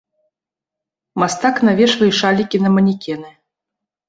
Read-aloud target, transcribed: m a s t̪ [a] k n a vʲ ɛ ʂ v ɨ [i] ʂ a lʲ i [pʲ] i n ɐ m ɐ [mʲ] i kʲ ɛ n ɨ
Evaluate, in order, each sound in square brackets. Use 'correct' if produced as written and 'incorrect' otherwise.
correct, incorrect: j, incorrect: kʲ, incorrect: nʲ

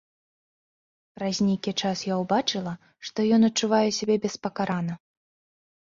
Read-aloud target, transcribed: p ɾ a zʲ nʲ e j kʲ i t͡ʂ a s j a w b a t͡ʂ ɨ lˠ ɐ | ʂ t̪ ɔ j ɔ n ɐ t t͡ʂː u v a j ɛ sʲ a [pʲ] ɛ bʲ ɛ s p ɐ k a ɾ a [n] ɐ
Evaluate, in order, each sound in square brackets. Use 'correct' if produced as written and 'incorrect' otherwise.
incorrect: bʲ, correct

